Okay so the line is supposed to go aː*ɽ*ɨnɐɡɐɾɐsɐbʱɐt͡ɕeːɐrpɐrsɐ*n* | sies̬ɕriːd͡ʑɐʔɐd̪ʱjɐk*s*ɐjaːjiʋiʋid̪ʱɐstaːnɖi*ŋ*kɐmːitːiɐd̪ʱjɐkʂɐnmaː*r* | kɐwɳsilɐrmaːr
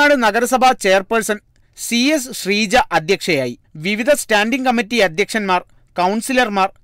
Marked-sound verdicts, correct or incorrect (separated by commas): correct, correct, incorrect, correct, correct